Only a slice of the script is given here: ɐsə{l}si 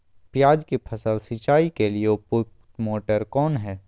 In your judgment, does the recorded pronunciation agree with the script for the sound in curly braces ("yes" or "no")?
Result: yes